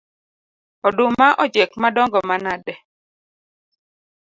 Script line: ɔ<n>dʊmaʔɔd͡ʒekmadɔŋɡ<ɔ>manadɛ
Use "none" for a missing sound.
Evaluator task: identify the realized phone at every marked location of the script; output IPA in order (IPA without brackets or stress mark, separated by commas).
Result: none, ɔ